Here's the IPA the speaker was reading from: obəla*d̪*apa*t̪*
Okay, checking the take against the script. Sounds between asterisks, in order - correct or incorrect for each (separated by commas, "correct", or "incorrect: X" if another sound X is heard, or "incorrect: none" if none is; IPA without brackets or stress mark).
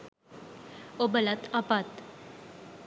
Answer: incorrect: t̪, correct